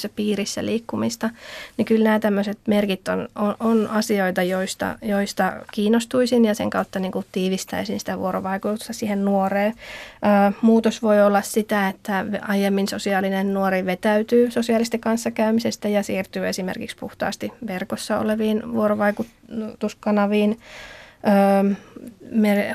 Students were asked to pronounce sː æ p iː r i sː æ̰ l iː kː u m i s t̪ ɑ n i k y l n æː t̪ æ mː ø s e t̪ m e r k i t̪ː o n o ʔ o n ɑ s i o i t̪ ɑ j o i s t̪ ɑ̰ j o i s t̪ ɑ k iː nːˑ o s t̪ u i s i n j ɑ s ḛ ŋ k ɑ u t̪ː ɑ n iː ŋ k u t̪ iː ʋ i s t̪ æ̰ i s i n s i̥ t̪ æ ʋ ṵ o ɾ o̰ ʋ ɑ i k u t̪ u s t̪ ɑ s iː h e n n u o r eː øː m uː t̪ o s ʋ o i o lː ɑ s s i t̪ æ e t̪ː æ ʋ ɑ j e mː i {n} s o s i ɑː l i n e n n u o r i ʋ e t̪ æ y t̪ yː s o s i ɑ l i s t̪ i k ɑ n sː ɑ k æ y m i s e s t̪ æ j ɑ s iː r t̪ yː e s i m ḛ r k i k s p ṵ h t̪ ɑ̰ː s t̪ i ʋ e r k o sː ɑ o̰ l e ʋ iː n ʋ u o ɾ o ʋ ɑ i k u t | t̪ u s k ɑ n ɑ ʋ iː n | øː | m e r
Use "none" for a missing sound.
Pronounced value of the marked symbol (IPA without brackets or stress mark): n